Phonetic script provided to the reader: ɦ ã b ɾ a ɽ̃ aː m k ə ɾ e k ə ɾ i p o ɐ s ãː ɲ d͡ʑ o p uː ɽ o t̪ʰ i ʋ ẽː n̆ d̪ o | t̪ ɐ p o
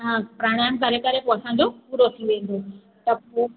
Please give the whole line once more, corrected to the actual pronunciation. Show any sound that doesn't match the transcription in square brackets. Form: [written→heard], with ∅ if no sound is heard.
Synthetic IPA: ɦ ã [b→p] ɾ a ɽ̃ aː m k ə ɾ e k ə ɾ [i→e] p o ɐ s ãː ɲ d͡ʑ o p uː [ɽ→ɾ] o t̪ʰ i ʋ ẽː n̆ d̪ o | t̪ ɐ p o

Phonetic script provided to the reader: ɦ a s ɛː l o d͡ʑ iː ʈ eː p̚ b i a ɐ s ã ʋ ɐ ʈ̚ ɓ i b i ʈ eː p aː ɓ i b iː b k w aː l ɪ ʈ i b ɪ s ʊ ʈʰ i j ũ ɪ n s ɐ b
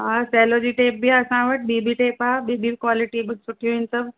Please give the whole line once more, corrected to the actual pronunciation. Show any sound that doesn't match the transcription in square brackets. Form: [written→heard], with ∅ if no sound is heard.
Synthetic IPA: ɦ a s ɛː l o d͡ʑ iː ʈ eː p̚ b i a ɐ s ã ʋ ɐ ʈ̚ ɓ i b i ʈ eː p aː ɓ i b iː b k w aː l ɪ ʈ i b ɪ s ʊ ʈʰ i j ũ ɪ n s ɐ b

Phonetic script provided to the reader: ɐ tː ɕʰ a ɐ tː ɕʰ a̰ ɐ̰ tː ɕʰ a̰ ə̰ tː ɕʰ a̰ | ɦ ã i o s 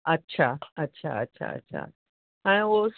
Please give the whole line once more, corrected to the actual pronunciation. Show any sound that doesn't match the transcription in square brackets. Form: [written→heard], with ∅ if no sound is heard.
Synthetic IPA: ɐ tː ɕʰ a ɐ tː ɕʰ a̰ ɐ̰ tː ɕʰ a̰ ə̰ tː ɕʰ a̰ | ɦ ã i o s

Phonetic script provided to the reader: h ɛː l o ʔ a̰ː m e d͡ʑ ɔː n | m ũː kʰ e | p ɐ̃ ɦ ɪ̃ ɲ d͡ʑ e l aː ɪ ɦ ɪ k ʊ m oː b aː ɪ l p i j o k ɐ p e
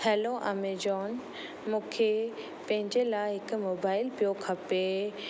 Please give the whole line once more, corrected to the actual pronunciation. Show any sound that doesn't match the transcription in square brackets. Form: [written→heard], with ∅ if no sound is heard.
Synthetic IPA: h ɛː l o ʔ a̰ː m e d͡ʑ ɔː n | m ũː kʰ e | p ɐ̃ ɦ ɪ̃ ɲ d͡ʑ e l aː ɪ ɦ ɪ k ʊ m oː b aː ɪ l p i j o [k→kʰ] ɐ p e

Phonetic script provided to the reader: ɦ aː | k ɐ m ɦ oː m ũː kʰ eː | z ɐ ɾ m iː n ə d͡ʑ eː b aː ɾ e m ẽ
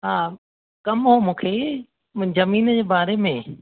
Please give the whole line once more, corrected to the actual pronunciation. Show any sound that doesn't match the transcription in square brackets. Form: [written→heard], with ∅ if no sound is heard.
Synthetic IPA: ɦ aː | k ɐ m ɦ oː m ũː kʰ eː | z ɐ [ɾ→∅] m iː n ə d͡ʑ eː b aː ɾ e m ẽ

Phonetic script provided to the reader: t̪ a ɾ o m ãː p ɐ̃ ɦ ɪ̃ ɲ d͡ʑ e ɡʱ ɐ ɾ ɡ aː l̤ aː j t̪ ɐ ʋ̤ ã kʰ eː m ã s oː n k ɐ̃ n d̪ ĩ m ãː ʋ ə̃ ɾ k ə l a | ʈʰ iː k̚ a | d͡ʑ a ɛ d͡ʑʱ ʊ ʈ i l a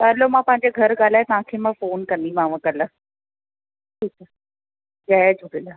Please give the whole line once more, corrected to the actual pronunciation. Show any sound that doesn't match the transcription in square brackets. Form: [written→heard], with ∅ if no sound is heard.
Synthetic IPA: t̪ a [ɾ→l] o m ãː p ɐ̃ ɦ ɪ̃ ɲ d͡ʑ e ɡʱ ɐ ɾ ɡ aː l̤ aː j t̪ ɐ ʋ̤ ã kʰ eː m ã [s→f] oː n k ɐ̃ n d̪ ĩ m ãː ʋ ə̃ [ɾ→∅] k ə l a | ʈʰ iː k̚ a | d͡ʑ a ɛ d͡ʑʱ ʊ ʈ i l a

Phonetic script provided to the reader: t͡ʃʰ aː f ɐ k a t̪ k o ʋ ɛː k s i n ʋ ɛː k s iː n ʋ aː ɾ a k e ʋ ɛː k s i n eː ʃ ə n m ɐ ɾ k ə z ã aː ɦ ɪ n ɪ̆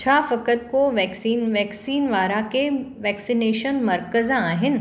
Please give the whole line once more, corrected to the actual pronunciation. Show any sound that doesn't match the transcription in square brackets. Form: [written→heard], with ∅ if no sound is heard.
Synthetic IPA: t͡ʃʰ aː f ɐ k [a→ə] t̪ k o ʋ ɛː k s [i→iː] n ʋ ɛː k s iː n ʋ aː ɾ a k e ʋ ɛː k s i n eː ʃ ə n m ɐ ɾ k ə z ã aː ɦ ɪ n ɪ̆

